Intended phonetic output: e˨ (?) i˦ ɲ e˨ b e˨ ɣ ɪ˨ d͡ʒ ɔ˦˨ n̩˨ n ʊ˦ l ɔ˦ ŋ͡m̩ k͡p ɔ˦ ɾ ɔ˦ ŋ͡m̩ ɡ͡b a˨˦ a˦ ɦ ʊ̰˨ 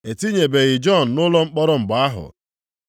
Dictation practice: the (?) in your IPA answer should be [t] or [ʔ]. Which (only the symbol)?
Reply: t